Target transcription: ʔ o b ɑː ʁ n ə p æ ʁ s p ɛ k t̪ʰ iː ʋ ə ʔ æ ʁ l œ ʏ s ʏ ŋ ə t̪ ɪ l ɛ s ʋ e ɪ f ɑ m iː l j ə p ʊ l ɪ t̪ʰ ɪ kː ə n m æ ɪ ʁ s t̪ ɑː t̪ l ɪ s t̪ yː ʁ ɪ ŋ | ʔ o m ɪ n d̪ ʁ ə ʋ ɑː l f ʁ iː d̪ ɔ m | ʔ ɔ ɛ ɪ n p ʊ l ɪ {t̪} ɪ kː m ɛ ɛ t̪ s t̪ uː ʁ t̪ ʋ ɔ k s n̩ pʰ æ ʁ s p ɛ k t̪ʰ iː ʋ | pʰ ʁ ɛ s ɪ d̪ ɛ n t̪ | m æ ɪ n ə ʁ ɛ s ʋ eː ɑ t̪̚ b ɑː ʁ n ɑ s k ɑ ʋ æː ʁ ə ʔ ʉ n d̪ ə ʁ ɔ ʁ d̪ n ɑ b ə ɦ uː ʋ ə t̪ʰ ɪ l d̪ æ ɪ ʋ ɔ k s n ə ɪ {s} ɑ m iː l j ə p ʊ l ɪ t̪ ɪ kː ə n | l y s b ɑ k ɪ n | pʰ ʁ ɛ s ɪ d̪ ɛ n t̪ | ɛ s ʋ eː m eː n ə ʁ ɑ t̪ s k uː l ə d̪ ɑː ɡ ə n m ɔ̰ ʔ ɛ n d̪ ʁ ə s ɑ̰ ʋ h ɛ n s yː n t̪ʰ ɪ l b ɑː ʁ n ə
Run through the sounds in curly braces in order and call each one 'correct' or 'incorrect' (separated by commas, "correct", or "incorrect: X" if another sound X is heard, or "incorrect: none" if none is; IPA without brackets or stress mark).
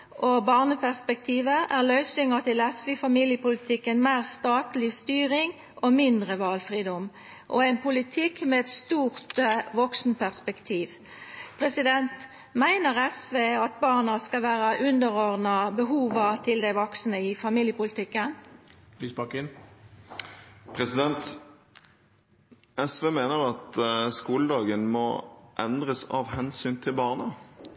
incorrect: t̪ʰ, incorrect: f